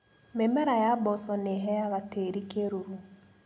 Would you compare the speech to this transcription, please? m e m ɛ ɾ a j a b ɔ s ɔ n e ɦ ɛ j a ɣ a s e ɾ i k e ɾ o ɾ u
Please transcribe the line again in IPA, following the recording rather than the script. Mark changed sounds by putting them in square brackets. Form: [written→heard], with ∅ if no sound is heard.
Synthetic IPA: m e m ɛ ɾ a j a b ɔ s ɔ n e ɦ ɛ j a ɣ a [s→t] e ɾ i k e ɾ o ɾ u